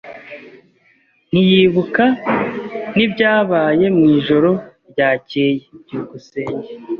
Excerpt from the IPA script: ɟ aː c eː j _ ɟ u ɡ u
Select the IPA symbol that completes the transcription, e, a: e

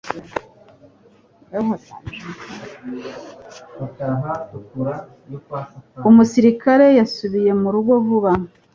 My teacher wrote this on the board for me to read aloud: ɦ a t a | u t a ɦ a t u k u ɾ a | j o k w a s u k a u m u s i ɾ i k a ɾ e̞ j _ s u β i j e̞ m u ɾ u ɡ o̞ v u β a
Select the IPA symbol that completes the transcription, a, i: a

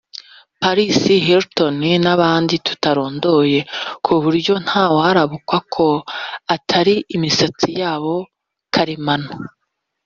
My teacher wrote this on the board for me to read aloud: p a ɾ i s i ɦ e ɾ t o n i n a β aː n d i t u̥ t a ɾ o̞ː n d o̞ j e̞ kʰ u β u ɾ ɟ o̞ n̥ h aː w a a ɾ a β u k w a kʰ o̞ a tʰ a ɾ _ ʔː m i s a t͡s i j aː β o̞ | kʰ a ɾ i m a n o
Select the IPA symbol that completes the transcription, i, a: i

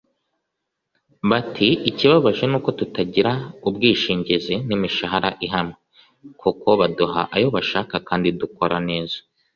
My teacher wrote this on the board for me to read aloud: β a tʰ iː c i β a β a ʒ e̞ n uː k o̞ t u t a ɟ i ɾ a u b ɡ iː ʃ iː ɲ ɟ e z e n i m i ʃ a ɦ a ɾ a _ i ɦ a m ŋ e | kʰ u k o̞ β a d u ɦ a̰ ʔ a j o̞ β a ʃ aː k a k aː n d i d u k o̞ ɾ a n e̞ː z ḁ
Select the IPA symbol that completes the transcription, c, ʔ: ʔ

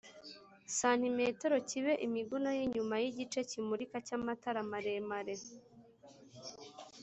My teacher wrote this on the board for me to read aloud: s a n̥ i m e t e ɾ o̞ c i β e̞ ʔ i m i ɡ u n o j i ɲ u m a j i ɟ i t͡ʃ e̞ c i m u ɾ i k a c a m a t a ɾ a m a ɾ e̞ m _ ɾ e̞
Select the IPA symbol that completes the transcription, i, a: a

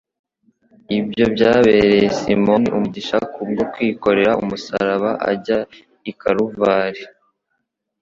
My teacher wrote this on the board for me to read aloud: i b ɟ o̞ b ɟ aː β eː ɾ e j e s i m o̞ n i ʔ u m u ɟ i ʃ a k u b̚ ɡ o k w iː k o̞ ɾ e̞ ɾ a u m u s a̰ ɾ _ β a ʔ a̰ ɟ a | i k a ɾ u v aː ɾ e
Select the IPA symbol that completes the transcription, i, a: a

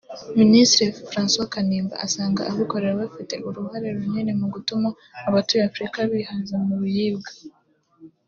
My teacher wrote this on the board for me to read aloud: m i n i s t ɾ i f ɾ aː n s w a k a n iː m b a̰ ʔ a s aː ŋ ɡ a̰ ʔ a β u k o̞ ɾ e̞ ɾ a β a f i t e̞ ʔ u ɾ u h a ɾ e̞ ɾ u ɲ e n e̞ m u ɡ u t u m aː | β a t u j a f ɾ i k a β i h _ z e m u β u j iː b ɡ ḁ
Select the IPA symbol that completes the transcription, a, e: a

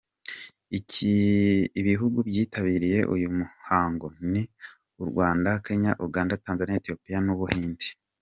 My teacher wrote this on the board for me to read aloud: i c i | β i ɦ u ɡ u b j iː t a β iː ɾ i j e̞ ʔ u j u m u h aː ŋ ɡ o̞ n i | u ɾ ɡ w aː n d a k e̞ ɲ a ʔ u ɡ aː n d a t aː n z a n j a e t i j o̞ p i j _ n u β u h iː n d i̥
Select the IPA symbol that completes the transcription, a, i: a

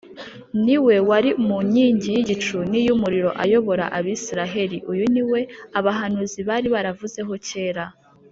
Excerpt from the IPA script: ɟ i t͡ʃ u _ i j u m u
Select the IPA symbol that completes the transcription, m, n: n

